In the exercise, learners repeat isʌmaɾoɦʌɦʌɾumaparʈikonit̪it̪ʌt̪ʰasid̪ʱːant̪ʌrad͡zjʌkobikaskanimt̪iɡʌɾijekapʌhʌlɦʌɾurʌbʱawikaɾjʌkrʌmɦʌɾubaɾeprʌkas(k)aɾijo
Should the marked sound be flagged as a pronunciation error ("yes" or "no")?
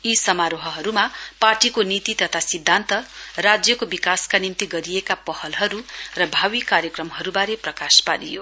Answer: yes